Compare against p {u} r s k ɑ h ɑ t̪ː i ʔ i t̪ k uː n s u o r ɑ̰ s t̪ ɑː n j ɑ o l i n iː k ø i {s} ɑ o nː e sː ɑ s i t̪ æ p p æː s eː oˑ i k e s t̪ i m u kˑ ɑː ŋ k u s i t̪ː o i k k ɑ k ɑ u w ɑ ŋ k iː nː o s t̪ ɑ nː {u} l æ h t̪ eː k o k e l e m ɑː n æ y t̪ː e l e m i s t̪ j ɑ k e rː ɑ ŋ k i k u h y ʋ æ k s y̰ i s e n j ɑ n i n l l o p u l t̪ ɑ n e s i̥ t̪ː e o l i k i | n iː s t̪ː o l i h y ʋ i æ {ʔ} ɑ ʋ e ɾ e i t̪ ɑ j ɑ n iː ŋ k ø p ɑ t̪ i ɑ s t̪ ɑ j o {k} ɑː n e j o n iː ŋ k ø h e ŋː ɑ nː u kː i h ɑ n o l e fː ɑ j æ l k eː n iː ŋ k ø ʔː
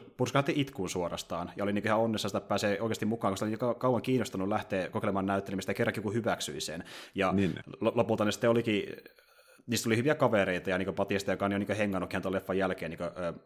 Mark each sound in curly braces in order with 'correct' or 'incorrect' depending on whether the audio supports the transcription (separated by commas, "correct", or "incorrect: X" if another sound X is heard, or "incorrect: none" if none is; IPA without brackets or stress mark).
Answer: correct, incorrect: h, correct, incorrect: k, correct